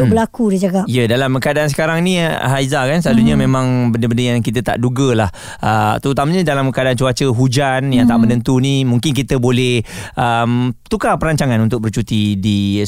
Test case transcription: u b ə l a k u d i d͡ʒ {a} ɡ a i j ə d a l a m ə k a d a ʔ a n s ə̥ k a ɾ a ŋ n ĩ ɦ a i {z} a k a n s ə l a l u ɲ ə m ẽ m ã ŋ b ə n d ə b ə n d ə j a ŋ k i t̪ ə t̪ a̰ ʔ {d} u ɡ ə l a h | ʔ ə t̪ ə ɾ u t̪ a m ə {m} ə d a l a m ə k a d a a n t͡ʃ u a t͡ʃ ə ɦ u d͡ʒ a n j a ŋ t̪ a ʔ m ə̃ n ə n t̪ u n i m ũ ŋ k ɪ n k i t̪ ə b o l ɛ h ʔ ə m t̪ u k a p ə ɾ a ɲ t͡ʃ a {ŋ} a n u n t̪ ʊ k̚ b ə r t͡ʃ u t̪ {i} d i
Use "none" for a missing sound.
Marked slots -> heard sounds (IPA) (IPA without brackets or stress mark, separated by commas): a, z, d, ɲ, ŋ, i